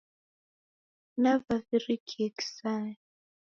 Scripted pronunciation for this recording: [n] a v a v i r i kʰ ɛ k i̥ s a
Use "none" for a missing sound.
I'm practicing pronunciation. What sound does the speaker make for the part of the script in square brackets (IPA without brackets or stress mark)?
n